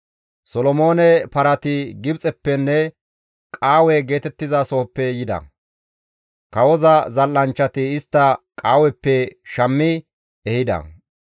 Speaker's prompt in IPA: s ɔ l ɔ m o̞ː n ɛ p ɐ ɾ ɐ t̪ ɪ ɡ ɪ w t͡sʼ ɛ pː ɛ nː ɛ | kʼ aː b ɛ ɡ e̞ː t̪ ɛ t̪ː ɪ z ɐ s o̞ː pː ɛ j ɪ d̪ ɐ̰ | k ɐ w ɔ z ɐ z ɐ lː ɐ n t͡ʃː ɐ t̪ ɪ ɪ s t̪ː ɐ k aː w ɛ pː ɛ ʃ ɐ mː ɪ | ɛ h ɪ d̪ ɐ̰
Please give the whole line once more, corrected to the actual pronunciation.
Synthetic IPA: s ɔ l ɔ m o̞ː n ɛ p ɐ ɾ ɐ t̪ ɪ ɡ ɪ b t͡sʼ ɛ pː ɛ nː ɛ | kʼ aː w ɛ ɡ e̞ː t̪ ɛ t̪ː ɪ z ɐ s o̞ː pː ɛ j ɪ d̪ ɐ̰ | k ɐ w ɔ z ɐ z ɐ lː ɐ n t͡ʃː ɐ t̪ ɪ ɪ s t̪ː ɐ kʼ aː w ɛ pː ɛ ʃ ɐ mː ɪ | ɛ h ɪ d̪ ɐ̰